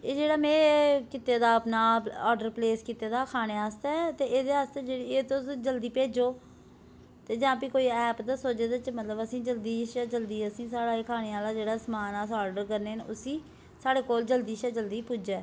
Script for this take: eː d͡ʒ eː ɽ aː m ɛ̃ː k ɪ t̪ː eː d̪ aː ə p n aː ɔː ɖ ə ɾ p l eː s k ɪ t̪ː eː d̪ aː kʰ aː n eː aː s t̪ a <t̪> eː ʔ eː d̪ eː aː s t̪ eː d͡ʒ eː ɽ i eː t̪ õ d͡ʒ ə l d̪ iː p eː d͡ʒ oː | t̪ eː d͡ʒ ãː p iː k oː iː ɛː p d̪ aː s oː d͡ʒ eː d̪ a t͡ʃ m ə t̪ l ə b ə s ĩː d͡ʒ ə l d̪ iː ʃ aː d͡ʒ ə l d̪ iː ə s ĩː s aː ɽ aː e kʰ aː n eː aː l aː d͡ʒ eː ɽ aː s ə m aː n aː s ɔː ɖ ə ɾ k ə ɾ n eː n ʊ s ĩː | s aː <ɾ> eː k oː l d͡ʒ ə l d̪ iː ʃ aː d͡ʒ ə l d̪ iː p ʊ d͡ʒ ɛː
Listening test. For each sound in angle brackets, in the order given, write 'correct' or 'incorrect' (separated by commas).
correct, incorrect